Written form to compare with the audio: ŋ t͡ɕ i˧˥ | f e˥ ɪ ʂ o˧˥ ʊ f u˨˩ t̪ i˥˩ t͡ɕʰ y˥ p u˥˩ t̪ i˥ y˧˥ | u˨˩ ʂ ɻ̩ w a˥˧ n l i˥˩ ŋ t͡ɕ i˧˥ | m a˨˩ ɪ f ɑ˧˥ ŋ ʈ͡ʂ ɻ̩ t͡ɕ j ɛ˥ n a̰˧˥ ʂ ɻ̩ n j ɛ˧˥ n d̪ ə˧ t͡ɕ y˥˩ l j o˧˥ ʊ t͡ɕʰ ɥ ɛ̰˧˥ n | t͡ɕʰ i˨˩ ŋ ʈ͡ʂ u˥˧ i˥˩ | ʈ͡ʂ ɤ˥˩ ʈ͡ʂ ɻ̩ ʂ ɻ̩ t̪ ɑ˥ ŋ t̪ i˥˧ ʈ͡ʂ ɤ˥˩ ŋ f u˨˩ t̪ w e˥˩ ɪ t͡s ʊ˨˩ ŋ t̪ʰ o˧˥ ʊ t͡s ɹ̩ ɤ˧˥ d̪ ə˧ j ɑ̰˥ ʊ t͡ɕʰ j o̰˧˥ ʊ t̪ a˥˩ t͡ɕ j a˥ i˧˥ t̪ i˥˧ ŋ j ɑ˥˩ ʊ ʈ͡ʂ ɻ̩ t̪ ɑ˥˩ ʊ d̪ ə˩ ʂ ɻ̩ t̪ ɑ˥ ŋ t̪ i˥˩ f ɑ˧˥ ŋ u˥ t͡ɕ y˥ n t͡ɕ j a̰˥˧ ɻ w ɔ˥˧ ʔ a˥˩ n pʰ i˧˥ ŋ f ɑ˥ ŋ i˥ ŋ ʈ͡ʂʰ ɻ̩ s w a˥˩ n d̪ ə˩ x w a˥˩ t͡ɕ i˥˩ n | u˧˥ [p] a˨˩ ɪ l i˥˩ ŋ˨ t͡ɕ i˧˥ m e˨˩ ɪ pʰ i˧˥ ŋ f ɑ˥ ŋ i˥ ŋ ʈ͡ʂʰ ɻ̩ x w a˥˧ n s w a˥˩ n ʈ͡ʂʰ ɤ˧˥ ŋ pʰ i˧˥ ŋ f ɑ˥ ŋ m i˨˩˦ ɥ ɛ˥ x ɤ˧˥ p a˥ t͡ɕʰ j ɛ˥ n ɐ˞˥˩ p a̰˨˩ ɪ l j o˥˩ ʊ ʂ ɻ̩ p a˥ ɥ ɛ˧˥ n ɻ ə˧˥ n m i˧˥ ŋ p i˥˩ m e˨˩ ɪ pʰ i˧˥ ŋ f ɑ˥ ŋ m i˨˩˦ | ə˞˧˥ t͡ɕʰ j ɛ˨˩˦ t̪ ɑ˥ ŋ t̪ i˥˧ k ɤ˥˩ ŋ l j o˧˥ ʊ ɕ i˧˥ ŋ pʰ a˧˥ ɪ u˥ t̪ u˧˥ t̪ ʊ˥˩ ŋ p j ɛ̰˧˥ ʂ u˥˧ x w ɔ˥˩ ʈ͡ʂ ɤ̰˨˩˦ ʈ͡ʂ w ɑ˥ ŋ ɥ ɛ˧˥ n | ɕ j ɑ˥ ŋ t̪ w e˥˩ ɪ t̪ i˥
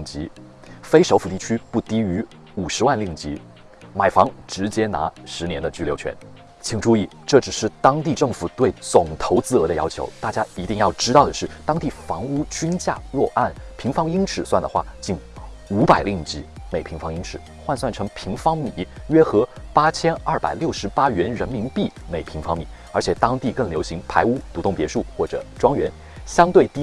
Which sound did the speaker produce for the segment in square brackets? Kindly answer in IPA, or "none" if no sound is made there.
p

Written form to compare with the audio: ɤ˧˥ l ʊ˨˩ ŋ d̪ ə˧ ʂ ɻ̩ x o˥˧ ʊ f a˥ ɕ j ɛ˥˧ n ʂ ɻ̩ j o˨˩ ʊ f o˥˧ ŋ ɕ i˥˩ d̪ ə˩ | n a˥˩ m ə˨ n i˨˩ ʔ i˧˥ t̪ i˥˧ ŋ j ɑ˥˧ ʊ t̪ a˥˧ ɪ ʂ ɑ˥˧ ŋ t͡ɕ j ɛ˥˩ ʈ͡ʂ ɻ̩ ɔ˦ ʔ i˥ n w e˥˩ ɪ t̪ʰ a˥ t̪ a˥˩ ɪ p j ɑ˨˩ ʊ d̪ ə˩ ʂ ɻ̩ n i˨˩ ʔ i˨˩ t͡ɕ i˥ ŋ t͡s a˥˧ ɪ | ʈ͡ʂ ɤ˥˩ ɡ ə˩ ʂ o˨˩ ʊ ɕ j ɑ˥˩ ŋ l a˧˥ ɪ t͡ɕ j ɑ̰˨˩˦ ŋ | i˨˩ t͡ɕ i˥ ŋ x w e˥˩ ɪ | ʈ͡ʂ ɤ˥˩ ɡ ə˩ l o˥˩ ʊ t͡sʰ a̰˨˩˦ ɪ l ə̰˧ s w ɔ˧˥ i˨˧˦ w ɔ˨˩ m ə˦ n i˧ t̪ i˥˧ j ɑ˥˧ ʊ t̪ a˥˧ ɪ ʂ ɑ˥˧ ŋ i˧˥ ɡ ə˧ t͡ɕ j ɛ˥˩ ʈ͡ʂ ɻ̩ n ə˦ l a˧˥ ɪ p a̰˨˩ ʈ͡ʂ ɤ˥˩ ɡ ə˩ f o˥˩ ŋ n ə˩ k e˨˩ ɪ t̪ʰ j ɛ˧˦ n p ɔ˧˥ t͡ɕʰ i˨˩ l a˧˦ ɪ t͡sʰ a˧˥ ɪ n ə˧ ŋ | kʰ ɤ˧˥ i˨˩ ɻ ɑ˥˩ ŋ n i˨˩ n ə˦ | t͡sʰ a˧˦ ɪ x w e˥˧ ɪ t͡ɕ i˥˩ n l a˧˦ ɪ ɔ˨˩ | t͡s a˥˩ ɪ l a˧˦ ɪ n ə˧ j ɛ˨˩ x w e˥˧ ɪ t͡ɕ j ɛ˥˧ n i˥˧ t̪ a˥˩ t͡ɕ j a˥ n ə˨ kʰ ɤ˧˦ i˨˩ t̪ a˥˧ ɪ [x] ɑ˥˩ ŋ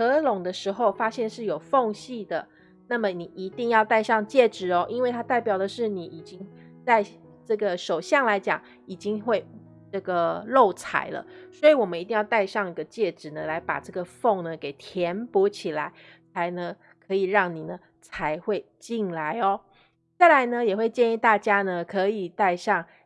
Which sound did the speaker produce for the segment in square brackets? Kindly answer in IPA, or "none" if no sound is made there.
ʂ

